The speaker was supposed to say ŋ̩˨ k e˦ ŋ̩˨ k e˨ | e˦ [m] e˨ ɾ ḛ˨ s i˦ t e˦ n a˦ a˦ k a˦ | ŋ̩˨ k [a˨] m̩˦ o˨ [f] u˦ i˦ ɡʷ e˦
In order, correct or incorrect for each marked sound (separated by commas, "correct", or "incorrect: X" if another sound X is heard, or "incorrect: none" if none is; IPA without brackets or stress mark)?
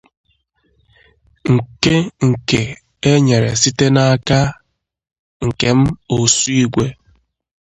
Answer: incorrect: ɲ, incorrect: e˨, incorrect: s